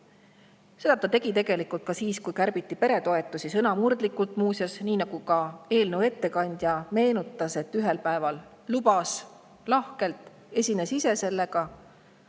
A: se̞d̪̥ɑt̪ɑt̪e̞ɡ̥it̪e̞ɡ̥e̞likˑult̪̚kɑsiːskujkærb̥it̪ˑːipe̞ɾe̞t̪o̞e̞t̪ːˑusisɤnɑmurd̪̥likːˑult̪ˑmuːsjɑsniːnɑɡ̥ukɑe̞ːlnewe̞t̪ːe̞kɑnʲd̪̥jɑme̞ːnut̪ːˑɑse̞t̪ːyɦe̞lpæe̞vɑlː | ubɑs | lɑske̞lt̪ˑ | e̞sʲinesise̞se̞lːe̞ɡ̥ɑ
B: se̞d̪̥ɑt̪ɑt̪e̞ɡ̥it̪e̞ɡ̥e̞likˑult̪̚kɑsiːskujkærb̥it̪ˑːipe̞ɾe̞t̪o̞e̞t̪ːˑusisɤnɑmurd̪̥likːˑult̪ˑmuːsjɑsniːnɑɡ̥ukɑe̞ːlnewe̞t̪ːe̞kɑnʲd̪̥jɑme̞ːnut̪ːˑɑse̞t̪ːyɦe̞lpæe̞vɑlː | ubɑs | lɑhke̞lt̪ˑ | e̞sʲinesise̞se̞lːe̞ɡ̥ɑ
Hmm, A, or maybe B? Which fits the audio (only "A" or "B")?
B